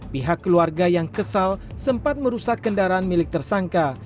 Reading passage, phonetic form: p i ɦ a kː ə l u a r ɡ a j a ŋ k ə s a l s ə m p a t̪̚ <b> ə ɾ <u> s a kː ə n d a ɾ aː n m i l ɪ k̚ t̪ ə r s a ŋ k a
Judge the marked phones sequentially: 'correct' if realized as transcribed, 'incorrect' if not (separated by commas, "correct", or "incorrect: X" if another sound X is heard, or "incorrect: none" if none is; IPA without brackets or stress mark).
incorrect: m, correct